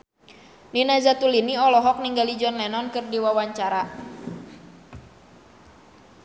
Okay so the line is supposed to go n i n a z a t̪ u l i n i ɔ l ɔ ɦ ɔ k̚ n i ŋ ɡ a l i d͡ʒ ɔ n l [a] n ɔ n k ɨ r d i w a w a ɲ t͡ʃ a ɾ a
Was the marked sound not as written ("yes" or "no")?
yes